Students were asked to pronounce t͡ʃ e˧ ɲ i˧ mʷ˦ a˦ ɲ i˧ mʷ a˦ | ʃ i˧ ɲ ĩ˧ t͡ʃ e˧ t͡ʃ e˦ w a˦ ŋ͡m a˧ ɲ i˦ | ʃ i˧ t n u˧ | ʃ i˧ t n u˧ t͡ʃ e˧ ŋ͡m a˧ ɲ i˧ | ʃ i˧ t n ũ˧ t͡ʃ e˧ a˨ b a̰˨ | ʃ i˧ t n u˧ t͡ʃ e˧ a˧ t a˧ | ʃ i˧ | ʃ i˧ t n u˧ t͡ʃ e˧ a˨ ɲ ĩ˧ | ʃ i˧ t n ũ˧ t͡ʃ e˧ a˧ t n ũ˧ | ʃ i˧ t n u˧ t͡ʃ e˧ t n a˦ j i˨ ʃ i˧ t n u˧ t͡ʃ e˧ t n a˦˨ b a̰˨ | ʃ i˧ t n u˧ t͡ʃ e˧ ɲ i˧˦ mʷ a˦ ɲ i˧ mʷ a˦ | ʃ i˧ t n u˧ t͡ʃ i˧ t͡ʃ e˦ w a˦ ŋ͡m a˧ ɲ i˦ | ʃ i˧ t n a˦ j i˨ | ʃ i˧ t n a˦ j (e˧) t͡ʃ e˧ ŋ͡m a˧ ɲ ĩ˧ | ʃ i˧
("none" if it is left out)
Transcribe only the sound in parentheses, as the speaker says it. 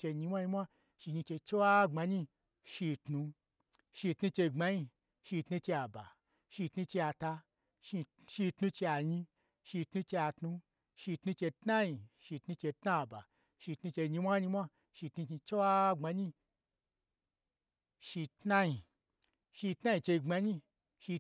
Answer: i˧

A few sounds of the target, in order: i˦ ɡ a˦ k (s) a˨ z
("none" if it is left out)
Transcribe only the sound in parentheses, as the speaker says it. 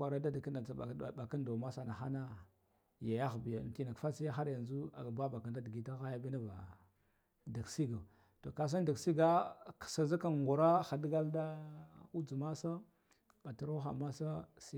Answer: s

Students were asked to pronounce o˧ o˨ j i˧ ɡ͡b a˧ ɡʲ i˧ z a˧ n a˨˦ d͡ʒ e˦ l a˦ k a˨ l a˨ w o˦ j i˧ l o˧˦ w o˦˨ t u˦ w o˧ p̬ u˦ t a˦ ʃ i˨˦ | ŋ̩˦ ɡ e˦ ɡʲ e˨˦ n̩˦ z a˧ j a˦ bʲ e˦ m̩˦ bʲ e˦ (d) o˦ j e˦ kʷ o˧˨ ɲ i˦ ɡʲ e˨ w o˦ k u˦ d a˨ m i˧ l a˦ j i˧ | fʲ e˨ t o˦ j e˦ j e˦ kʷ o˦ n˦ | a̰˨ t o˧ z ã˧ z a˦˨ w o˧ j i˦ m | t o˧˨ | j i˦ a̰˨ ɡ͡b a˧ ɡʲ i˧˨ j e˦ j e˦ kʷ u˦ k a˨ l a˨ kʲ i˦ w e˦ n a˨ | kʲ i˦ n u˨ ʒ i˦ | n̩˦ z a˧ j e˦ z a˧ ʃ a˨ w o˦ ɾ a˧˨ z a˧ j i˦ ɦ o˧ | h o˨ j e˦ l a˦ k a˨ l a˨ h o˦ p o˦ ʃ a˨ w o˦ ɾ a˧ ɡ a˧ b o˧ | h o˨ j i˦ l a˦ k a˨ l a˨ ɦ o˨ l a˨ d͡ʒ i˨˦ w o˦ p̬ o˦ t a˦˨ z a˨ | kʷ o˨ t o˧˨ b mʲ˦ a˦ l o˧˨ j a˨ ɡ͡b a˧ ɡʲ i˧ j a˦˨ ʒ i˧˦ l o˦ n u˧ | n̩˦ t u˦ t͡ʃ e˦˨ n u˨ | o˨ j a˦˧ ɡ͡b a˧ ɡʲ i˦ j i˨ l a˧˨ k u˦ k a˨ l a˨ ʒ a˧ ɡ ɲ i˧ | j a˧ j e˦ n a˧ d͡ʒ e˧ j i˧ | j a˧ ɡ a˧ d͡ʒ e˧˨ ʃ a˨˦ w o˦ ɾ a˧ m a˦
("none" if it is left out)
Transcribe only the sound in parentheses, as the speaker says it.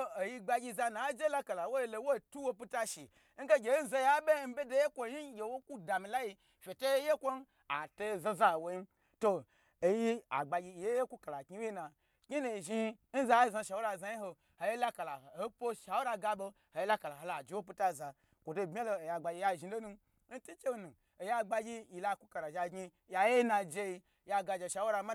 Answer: d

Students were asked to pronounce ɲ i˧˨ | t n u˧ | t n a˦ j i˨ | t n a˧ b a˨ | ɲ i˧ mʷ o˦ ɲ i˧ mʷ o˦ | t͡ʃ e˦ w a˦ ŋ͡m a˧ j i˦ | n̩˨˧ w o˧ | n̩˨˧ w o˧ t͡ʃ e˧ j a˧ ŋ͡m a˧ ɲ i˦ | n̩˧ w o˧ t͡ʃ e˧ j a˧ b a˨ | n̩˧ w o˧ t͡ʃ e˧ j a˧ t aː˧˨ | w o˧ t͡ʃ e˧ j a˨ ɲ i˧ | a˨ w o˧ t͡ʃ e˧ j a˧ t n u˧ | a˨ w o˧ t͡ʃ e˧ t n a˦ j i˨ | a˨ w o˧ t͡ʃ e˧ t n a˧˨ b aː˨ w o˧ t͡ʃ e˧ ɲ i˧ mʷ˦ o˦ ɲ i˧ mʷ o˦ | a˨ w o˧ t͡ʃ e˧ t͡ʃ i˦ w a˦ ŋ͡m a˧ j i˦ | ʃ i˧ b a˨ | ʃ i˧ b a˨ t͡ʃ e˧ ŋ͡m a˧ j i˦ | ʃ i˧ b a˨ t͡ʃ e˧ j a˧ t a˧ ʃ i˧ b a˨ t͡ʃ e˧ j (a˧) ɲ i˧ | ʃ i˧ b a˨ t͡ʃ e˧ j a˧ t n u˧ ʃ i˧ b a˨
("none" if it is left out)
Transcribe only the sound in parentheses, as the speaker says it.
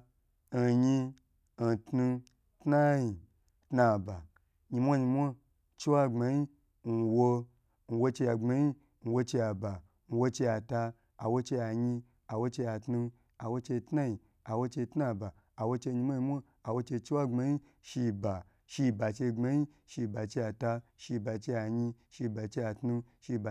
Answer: a˧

